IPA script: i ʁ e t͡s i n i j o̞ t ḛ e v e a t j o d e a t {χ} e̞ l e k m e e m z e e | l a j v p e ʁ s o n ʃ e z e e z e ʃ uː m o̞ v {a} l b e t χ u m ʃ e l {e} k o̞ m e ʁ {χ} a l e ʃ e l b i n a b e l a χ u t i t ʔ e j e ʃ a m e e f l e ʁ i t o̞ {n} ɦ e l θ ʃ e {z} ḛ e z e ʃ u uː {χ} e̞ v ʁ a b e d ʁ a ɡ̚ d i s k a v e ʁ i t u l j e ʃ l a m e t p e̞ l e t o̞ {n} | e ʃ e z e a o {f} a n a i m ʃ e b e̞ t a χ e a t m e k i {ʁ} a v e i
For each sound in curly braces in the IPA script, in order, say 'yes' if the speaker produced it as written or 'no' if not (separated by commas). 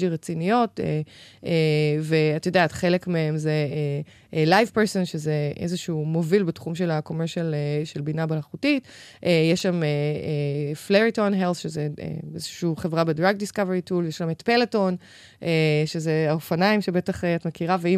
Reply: yes, no, no, no, yes, yes, yes, yes, yes, yes